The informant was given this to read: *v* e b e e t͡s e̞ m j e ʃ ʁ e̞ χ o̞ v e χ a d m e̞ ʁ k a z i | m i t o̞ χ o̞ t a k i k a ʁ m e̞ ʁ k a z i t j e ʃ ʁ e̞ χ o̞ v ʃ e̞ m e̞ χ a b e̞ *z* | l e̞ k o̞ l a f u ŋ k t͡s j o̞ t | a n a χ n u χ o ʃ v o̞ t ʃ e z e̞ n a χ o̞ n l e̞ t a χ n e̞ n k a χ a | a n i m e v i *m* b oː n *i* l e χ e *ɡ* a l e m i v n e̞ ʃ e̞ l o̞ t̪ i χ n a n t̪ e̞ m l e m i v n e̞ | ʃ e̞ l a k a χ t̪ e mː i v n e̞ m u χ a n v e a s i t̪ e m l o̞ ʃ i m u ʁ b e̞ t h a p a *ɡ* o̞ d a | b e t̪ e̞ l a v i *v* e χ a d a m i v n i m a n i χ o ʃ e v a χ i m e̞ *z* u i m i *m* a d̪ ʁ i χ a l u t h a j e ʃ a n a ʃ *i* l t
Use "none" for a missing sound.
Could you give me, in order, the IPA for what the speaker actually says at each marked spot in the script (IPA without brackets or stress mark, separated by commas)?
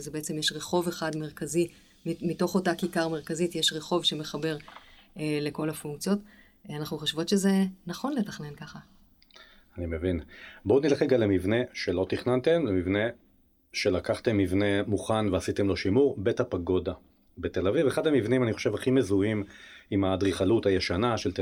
z, ʁ, n, i, ɡ, ɡ, v, z, m, e